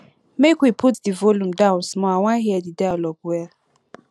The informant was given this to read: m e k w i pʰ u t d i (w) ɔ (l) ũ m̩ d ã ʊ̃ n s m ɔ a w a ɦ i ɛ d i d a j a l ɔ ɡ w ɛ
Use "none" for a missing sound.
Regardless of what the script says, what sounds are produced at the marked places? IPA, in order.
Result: v, l

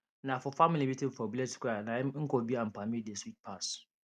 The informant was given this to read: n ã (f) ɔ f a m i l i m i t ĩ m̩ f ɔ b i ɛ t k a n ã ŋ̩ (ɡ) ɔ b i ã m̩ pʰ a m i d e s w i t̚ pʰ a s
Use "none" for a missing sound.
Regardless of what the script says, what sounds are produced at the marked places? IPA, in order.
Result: f, k

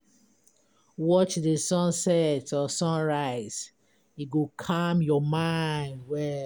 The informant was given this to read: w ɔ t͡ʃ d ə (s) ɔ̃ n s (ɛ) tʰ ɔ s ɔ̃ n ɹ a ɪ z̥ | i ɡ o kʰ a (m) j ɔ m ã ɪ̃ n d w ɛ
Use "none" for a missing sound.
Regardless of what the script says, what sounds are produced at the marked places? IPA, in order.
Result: s, ɛ, m

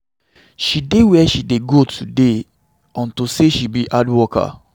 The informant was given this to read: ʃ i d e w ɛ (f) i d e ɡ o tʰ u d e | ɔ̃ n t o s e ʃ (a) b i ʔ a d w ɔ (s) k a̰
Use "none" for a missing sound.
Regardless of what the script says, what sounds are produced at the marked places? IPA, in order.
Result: ʃ, i, none

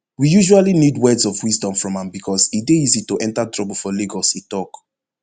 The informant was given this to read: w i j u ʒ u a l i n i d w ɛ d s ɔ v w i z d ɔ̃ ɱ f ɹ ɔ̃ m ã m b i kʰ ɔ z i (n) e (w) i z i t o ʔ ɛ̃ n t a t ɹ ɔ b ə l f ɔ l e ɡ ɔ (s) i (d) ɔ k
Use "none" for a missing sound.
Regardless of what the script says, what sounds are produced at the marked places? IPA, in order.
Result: d, none, s, t

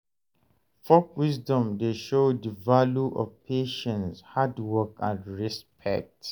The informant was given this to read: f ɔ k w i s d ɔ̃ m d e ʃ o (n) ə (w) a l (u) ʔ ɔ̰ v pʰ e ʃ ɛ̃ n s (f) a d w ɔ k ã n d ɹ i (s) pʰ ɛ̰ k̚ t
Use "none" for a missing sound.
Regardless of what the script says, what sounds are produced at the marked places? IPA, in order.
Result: d, v, u, h, s

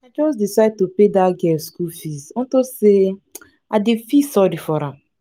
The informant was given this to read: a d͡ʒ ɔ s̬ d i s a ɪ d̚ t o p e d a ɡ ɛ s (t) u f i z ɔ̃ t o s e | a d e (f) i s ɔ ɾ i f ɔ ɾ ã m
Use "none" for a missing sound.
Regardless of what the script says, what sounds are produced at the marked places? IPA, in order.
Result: k, f

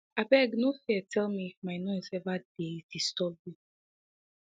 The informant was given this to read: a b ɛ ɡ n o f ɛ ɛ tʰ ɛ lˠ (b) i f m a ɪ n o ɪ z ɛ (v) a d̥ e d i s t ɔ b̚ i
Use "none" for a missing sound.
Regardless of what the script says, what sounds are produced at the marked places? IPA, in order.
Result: m, v

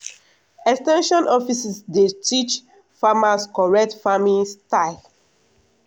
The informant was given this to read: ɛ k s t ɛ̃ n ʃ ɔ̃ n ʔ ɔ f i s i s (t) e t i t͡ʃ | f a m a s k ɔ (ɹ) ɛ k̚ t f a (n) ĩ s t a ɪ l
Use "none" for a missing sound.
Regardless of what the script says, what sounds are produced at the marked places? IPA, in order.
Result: d, ɹ, m

